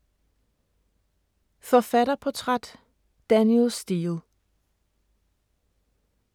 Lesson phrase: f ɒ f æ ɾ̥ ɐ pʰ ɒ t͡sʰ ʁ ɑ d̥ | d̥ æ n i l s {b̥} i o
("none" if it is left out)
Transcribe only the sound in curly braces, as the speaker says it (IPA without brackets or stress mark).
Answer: d̥